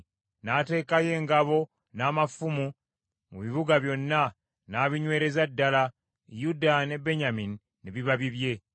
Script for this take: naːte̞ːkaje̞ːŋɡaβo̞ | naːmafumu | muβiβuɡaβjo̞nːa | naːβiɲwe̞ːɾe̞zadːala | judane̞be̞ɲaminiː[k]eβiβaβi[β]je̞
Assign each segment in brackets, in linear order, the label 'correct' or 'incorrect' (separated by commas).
incorrect, correct